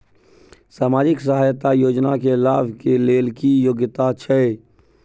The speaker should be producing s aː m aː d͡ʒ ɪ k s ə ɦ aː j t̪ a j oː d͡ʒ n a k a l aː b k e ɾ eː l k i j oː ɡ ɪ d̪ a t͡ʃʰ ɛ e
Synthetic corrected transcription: s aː m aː d͡ʒ ɪ k s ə ɦ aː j t̪ a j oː d͡ʒ n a k e l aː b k e l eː l k i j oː ɡ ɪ t̪ a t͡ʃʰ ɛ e